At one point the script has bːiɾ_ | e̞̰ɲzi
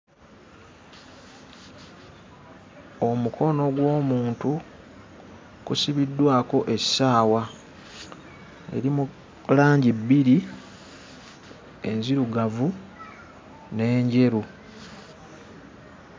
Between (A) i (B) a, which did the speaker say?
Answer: A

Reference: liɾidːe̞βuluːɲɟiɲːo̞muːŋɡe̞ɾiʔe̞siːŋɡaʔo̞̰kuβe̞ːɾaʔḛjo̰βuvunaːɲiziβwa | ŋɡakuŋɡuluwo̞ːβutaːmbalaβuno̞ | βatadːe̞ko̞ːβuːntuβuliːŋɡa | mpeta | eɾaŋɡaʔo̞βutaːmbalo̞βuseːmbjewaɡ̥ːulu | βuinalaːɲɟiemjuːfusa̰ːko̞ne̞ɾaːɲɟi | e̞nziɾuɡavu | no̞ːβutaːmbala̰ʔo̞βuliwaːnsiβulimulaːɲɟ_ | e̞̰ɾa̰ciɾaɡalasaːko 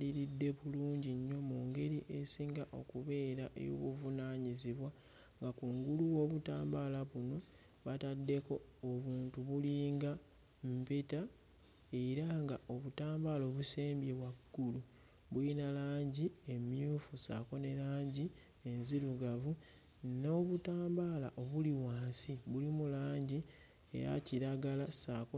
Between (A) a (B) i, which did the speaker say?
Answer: B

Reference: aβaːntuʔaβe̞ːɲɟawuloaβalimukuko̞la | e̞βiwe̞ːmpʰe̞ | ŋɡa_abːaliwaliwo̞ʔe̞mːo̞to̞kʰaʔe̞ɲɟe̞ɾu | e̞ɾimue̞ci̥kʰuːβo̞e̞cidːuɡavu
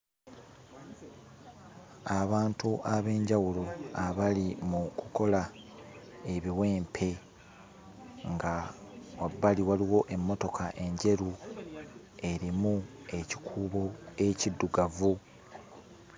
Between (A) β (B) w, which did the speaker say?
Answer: B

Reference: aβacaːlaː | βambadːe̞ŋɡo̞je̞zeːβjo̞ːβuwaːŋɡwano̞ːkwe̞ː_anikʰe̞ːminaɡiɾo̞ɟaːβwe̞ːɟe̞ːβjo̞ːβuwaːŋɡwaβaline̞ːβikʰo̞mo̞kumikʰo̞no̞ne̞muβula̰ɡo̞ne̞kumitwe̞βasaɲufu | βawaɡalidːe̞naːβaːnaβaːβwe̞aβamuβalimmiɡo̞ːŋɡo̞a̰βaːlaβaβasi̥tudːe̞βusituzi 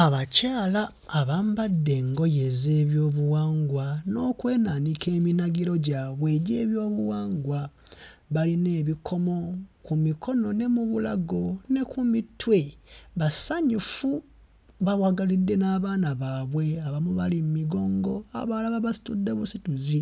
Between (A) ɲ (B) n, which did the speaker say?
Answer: B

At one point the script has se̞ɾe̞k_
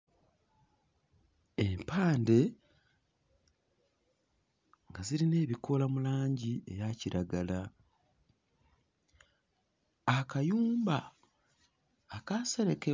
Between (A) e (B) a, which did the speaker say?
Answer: A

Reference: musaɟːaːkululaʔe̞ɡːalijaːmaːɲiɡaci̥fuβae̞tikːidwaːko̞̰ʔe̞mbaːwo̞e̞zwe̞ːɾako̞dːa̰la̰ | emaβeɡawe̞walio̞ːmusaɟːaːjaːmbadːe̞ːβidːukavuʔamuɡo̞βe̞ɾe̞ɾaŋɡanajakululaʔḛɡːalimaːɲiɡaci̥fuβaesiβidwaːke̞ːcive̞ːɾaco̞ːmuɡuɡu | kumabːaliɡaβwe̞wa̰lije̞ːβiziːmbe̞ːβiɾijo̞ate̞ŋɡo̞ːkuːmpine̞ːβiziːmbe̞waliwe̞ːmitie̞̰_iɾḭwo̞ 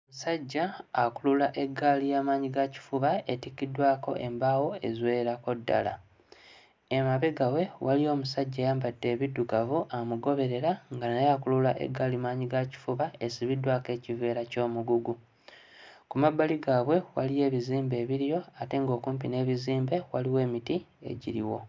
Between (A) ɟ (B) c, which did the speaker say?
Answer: A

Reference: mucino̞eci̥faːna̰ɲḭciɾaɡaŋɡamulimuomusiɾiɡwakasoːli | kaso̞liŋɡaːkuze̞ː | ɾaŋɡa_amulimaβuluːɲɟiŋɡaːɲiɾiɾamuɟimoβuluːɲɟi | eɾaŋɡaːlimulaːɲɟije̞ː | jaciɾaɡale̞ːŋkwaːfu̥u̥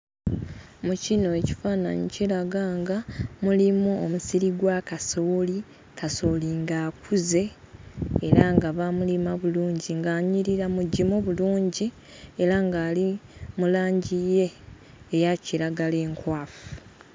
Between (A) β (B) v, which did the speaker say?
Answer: A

